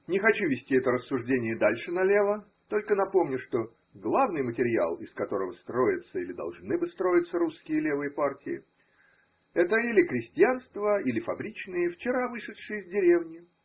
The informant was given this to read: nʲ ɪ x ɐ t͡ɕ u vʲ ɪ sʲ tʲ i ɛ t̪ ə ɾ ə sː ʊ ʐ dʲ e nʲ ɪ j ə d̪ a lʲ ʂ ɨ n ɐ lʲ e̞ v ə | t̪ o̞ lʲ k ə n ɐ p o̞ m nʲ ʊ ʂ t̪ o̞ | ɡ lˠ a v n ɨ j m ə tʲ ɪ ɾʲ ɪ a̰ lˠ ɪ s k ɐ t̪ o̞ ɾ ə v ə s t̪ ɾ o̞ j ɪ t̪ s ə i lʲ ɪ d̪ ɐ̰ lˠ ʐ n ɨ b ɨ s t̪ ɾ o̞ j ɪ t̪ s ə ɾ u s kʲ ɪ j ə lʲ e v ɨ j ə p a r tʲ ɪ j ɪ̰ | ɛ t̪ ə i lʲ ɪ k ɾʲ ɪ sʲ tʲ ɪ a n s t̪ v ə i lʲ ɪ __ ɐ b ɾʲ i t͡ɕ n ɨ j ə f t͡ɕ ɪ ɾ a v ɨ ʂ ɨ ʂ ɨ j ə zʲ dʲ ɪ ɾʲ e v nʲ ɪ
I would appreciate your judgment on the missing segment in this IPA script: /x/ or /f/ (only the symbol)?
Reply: f